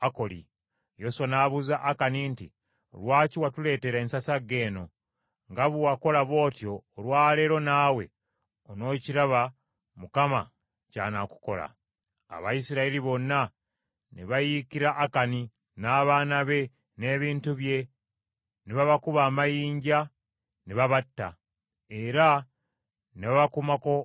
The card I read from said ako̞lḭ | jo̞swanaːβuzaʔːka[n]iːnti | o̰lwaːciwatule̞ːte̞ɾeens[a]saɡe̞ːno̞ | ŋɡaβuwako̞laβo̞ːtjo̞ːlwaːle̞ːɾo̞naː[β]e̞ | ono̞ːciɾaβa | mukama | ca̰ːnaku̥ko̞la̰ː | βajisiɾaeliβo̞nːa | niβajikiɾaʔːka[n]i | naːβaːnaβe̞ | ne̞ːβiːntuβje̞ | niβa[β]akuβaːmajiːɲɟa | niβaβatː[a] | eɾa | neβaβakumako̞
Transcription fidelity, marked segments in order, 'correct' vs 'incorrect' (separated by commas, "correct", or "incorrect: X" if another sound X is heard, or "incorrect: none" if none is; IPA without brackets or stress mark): correct, correct, incorrect: w, correct, correct, correct